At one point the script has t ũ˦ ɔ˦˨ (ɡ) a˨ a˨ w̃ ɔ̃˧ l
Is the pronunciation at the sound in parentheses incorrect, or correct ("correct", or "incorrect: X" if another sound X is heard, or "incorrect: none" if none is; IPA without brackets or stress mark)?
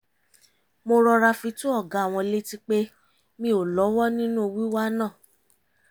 correct